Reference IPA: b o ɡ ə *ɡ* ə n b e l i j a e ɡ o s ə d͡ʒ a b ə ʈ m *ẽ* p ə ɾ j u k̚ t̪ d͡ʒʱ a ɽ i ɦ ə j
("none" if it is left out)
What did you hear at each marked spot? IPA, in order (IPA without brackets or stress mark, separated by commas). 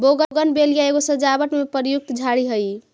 ɡ, e